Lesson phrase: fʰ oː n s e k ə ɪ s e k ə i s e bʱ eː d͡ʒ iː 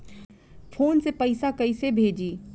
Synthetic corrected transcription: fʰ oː n s e p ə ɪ s a k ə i s e bʱ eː d͡ʒ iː